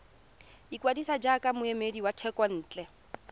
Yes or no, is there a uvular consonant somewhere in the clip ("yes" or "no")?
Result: no